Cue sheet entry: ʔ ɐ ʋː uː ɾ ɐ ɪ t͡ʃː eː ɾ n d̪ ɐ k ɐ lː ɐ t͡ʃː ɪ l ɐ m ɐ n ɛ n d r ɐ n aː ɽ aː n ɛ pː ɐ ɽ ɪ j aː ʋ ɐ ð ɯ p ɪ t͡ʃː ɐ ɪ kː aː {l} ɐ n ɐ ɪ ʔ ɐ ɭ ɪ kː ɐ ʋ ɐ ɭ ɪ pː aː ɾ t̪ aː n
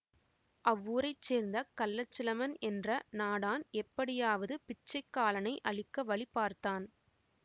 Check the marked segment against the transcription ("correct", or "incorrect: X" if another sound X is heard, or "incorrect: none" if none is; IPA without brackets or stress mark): correct